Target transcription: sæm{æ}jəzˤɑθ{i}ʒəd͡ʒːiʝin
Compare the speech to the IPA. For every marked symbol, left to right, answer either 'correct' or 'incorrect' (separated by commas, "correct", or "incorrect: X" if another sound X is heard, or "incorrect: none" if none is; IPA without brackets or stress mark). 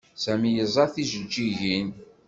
incorrect: i, correct